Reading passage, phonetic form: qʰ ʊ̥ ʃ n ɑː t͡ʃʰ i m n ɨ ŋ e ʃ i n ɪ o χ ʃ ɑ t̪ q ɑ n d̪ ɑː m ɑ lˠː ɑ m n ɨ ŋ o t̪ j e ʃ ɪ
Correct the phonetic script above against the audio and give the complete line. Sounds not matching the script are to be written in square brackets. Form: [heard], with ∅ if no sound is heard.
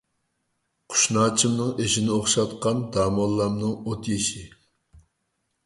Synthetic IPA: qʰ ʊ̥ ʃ n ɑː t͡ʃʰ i m n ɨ ŋ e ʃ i n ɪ o χ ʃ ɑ t̪ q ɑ n d̪ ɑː m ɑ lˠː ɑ m n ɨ ŋ o t̪ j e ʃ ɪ